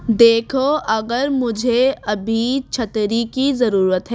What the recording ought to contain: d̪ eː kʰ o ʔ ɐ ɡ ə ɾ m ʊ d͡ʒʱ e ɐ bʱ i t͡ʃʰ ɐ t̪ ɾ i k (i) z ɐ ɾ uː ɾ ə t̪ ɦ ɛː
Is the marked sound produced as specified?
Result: yes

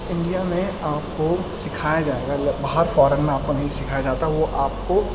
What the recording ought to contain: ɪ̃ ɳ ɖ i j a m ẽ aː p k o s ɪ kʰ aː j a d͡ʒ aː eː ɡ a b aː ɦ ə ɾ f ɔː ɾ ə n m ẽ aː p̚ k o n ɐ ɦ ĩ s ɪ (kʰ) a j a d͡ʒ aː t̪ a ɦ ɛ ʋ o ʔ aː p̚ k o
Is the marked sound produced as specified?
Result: yes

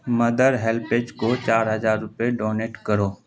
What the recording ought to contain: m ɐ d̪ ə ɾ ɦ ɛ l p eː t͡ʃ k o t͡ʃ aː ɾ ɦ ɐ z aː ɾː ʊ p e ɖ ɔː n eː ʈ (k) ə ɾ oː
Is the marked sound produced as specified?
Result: yes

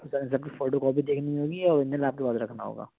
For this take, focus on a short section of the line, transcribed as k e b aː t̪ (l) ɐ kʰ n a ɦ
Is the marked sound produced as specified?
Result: no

